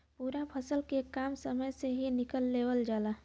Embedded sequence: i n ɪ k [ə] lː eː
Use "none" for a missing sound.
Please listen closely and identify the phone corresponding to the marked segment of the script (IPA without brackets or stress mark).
ə